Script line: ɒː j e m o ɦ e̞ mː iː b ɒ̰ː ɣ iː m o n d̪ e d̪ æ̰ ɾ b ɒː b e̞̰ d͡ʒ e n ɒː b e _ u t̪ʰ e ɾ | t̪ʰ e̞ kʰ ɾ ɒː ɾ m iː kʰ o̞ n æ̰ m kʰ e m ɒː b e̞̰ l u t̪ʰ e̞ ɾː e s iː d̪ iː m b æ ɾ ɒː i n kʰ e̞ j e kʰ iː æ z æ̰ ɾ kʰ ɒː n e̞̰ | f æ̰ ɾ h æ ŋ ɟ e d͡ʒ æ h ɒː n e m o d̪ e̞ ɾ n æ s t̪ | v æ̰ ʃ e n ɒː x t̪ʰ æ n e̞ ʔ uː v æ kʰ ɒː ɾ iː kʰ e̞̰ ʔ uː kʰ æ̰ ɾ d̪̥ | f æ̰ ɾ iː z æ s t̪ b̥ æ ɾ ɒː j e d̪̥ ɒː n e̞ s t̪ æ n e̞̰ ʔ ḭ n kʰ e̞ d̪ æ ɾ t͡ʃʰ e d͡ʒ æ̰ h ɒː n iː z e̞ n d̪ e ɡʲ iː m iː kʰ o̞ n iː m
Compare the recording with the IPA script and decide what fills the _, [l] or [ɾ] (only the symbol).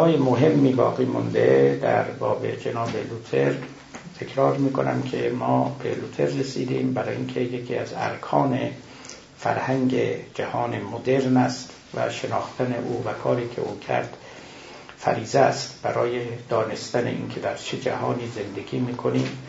l